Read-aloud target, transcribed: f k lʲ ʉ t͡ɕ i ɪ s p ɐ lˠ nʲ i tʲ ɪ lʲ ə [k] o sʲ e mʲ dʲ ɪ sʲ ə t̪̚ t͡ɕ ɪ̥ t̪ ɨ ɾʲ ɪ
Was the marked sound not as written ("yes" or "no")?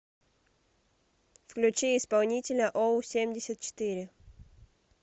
yes